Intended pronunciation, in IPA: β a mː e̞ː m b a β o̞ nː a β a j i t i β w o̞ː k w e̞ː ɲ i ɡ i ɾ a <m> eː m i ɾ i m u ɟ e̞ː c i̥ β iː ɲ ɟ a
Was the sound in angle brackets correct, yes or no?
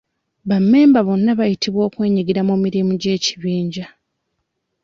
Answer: yes